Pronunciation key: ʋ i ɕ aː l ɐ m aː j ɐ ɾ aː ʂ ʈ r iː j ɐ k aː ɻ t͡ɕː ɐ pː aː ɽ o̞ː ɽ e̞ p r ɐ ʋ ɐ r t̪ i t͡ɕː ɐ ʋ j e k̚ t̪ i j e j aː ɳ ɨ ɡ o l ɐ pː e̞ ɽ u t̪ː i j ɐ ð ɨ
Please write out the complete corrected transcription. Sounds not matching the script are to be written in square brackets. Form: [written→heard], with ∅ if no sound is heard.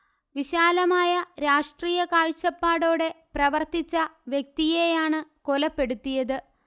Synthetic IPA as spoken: ʋ i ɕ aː l ɐ m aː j ɐ ɾ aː ʂ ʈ r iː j ɐ k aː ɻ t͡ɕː ɐ pː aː ɽ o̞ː ɽ e̞ p r ɐ ʋ ɐ r t̪ i t͡ɕː ɐ ʋ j e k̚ t̪ i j e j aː ɳ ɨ [ɡ→k] o l ɐ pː e̞ ɽ u t̪ː i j ɐ ð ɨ